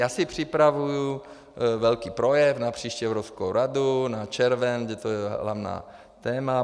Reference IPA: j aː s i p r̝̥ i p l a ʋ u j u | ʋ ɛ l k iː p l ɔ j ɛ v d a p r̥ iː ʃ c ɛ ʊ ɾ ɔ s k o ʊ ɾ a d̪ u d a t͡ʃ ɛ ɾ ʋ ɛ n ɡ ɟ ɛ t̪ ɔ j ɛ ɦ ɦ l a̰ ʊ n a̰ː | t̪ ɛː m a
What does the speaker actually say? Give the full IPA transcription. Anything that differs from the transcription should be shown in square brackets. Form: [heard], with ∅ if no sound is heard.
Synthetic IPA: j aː s i p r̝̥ i p [ɾ] a ʋ u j u | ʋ ɛ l k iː p [ɾ] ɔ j ɛ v [n] a p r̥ iː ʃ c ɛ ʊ ɾ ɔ s k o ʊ ɾ a d̪ u [n] a t͡ʃ ɛ ɾ ʋ ɛ n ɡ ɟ ɛ t̪ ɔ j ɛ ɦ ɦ l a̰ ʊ n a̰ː | t̪ ɛː m a

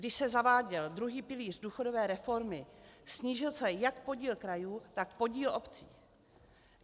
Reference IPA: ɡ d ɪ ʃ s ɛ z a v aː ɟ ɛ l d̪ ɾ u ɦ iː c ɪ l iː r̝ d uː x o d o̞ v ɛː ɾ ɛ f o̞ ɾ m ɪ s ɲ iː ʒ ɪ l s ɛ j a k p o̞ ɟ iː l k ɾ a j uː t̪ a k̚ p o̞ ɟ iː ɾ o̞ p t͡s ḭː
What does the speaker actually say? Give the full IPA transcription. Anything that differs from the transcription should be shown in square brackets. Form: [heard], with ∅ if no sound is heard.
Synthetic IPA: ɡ d ɪ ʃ s ɛ z a v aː ɟ ɛ l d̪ ɾ u ɦ iː [p] ɪ l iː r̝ d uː x o d o̞ v ɛː ɾ ɛ f o̞ ɾ m ɪ s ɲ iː ʒ ɪ l s ɛ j a k p o̞ ɟ iː l k ɾ a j uː t̪ a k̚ p o̞ ɟ iː [l] o̞ p t͡s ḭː

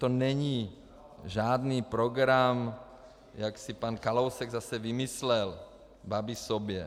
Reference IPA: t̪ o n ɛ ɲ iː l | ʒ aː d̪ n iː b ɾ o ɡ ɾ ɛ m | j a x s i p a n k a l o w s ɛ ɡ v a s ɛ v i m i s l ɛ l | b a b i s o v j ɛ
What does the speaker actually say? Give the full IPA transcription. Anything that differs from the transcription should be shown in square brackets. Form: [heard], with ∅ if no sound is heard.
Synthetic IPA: t̪ o n ɛ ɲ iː [∅] | ʒ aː d̪ n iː [p] ɾ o ɡ ɾ [a] m | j a [k] s i p a n k a l o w s ɛ ɡ [z] a s ɛ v i m i s l ɛ l | b a b i s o [b] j ɛ

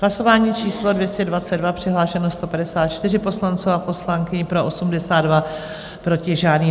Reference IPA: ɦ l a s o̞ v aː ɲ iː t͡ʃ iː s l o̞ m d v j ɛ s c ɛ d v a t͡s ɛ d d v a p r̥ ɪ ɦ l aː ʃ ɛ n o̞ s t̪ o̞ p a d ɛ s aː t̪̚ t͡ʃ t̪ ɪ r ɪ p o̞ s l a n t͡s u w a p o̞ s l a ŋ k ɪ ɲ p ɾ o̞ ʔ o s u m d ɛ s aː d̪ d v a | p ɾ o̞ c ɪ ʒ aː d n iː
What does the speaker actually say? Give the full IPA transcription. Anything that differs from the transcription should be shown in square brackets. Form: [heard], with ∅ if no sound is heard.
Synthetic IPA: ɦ l a s o̞ v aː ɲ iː t͡ʃ iː s l o̞ [∅] d v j ɛ s c ɛ d v a t͡s ɛ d d v a p r̥ ɪ ɦ l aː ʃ ɛ n o̞ s t̪ o̞ p a d ɛ s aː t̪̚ t͡ʃ t̪ ɪ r ɪ p o̞ s l a n t͡s u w a p o̞ s l a ŋ k ɪ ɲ p ɾ o̞ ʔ o s u m d ɛ s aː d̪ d v a | p ɾ o̞ c ɪ ʒ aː d n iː

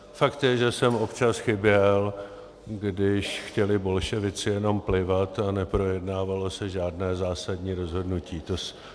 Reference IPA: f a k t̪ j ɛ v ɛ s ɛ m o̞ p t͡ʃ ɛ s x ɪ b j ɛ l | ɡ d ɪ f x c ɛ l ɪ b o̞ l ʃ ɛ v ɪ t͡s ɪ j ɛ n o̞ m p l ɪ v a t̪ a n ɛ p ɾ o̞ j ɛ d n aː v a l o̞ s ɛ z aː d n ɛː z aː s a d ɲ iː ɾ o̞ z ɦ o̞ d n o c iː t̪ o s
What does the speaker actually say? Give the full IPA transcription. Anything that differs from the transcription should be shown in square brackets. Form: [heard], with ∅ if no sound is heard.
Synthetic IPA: f a k t̪ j ɛ [ʒ] ɛ s ɛ m o̞ p t͡ʃ [a] s x ɪ b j ɛ l | ɡ d ɪ [ʃ] x c ɛ l ɪ b o̞ l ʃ ɛ v ɪ t͡s ɪ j ɛ n o̞ m p l ɪ v a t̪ a n ɛ p ɾ o̞ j ɛ d n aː v a l o̞ s ɛ [ʒ] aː d n ɛː z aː s a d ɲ iː ɾ o̞ z ɦ o̞ d n [u] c iː t̪ o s

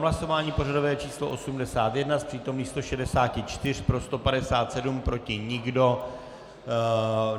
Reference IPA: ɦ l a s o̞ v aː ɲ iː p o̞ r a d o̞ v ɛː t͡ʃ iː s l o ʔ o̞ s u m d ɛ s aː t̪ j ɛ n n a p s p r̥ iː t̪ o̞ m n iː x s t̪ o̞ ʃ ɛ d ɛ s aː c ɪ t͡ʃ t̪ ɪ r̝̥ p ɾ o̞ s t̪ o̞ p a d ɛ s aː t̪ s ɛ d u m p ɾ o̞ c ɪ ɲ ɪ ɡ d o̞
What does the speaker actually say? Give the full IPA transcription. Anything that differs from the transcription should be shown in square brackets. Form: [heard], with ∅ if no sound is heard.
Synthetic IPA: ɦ l a s o̞ v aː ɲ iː p o̞ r a d o̞ v ɛː t͡ʃ iː s l o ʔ o̞ s u m d ɛ s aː t̪ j ɛ [d] n a [∅] s p r̥ iː t̪ o̞ m n iː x s t̪ o̞ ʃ ɛ d ɛ s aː c ɪ t͡ʃ t̪ ɪ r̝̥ p ɾ o̞ s t̪ o̞ p a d ɛ s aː t̪ s ɛ d u m p ɾ o̞ c ɪ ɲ ɪ ɡ d o̞

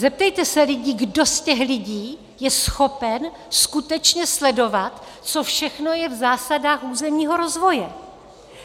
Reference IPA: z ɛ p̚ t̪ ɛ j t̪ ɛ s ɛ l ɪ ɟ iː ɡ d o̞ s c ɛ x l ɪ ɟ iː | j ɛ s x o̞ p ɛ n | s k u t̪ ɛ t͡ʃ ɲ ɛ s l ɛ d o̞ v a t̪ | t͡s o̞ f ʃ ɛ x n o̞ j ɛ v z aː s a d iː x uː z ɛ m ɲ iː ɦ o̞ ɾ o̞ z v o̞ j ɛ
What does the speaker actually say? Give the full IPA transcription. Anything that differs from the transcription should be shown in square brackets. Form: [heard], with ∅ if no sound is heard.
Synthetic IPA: z ɛ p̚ t̪ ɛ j t̪ ɛ s ɛ l ɪ ɟ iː ɡ d o̞ s c ɛ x l ɪ ɟ iː | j ɛ s x o̞ p ɛ n | s k u t̪ ɛ t͡ʃ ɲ ɛ s l ɛ d o̞ v a t̪ | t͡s o̞ f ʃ ɛ x n o̞ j ɛ v z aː s a d [aː] x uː z ɛ m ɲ iː ɦ o̞ ɾ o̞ z v o̞ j ɛ

